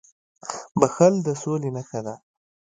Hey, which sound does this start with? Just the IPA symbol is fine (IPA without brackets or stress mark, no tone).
b